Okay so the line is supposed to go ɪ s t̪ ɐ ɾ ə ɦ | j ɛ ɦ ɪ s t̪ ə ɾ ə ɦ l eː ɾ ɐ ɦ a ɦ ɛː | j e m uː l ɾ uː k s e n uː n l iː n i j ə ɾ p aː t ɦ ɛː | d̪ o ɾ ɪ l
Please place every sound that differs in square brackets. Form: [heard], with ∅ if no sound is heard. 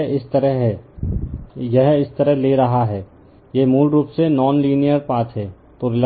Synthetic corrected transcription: ɪ s t̪ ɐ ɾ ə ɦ | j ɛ ɦ ɪ s t̪ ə ɾ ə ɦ l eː ɾ ɐ ɦ a ɦ ɛː | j e m uː l ɾ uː [p] s e n [ɔː] n l iː n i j ə ɾ p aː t ɦ ɛː | [t̪] o ɾ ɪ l